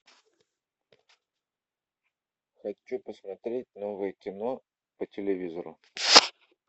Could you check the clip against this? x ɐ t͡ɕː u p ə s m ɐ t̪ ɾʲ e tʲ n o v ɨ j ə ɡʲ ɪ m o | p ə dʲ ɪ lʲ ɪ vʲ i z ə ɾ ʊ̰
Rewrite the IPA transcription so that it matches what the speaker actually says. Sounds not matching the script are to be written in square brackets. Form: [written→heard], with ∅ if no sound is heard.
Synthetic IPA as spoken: x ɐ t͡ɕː u p ə s m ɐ t̪ ɾʲ e tʲ n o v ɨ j ə [ɡʲ→kʲ] ɪ [m→n] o | p ə [dʲ→tʲ] ɪ lʲ ɪ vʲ i z ə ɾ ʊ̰